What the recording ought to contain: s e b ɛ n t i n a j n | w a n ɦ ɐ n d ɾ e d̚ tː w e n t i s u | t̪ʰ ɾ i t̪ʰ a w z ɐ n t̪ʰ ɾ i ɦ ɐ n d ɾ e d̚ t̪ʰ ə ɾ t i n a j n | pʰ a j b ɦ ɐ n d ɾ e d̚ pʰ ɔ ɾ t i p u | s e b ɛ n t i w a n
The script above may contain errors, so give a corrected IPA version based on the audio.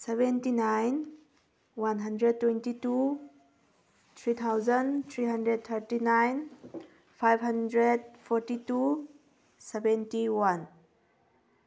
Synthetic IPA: s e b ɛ n t i n a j n | w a n ɦ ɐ n d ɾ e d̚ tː w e n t i t u | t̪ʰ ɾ i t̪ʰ a w z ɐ n t̪ʰ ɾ i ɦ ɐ n d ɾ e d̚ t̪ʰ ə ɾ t i n a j n | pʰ a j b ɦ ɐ n d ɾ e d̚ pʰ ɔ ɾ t i t u | s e b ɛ n t i w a n